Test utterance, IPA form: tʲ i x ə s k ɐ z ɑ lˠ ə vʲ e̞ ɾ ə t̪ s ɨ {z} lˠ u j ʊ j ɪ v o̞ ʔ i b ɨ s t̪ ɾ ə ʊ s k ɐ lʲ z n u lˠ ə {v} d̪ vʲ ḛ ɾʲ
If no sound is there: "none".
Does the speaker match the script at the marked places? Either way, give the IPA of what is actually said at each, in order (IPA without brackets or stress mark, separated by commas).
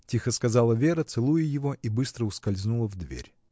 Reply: none, v